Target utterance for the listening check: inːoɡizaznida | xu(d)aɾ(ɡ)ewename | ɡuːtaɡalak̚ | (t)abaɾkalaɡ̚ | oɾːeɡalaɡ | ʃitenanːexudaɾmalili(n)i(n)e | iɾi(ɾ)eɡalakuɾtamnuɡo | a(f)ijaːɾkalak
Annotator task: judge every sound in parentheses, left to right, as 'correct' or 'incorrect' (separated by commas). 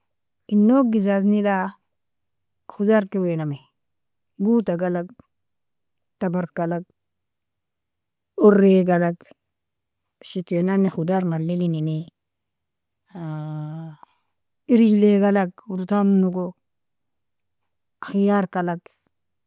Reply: correct, incorrect, correct, correct, correct, incorrect, incorrect